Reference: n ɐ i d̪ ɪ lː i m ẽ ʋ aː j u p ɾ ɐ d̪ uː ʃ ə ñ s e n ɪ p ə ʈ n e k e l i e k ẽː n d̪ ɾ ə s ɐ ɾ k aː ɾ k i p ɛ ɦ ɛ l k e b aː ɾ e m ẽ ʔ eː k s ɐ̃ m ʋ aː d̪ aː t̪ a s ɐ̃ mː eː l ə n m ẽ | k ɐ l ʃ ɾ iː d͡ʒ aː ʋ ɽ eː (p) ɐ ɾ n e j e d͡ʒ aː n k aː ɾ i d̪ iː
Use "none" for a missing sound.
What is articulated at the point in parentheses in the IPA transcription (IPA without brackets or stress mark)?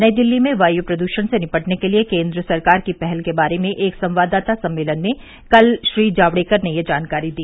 k